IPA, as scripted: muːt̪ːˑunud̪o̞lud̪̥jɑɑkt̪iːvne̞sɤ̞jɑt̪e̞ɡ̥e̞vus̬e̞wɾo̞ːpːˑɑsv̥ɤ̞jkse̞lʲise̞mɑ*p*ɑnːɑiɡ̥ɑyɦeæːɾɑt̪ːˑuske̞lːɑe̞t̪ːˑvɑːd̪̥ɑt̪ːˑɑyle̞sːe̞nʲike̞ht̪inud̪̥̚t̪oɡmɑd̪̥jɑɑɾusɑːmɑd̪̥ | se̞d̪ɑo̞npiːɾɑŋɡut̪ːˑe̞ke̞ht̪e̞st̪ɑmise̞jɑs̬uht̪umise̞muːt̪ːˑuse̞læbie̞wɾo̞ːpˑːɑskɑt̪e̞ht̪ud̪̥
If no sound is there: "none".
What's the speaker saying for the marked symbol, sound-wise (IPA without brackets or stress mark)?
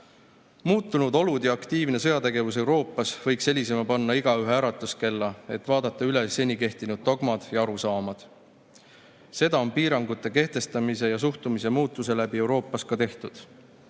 p